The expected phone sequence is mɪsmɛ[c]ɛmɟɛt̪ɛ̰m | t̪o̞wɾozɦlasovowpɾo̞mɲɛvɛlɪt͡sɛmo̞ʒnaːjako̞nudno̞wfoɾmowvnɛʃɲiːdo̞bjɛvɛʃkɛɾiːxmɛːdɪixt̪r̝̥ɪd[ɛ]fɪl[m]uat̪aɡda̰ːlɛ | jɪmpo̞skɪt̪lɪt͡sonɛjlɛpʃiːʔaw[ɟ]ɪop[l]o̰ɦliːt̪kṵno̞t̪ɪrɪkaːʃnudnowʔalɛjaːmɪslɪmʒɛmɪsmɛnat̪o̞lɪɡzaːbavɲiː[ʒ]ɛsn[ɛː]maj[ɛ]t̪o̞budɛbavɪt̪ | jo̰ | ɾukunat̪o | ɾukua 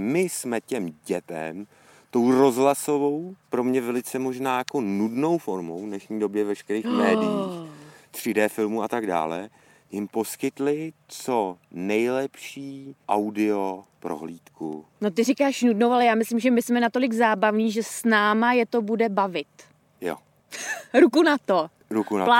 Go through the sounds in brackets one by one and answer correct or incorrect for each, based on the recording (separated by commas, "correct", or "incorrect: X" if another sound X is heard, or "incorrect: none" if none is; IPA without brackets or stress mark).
correct, incorrect: ɛː, correct, incorrect: d, incorrect: ɾ, correct, incorrect: aː, correct